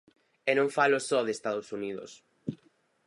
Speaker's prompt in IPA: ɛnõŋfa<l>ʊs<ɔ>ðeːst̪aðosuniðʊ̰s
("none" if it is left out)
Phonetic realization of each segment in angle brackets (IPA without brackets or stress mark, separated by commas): l, ɔ